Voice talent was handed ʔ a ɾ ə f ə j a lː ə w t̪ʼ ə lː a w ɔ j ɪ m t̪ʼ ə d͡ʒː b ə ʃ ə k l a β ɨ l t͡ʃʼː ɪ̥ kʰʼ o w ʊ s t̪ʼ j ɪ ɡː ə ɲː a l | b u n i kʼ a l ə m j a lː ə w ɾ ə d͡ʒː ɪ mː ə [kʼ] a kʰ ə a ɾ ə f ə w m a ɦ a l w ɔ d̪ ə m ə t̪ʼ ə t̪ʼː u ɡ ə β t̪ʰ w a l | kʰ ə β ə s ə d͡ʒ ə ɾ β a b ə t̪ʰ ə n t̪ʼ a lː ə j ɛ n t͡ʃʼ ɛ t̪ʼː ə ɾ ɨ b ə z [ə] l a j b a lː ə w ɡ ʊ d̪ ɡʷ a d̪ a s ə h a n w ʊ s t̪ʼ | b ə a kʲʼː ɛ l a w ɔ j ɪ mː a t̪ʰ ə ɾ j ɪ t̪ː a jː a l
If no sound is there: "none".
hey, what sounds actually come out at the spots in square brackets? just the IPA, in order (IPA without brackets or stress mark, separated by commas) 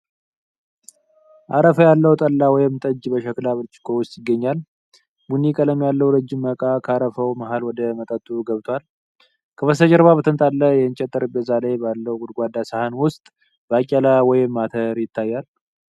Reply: kʼ, a